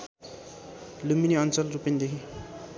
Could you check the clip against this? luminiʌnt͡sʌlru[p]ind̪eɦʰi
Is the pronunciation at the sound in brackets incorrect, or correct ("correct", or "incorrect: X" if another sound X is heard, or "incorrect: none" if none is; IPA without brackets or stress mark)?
correct